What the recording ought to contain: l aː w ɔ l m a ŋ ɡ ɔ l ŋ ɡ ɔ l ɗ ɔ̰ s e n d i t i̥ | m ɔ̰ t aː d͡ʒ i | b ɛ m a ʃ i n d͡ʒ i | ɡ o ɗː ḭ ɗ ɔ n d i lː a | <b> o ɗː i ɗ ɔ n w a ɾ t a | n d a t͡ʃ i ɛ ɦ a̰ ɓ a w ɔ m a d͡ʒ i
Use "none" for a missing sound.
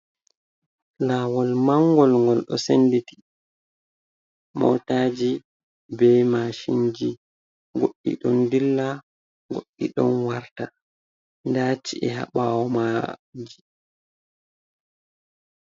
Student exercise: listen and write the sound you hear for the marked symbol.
ɡ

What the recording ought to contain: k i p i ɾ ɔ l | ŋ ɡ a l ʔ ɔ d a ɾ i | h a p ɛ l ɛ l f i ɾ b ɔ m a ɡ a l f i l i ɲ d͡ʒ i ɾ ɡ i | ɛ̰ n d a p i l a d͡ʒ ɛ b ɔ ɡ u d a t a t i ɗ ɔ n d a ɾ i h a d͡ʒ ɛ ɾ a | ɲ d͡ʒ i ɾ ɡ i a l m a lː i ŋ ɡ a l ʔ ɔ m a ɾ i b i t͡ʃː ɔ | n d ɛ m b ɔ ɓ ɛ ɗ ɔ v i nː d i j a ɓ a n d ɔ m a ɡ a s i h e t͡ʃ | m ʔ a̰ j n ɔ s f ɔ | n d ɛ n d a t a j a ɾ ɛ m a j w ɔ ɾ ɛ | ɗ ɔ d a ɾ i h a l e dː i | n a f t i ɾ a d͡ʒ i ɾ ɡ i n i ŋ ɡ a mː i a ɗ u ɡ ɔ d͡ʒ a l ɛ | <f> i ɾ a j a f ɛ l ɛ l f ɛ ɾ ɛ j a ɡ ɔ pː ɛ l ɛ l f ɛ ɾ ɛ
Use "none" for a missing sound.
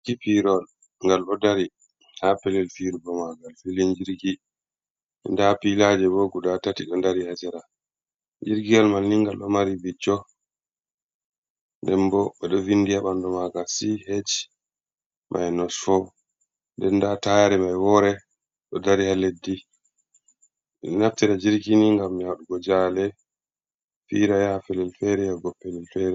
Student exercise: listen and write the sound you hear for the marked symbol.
f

